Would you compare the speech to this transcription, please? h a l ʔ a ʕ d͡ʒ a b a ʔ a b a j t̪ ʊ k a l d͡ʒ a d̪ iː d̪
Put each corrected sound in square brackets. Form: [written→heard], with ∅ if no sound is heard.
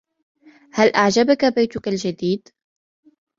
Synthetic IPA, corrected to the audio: h a l ʔ a ʕ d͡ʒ a b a [ʔ→k] a b a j t̪ ʊ k a l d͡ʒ a d̪ iː d̪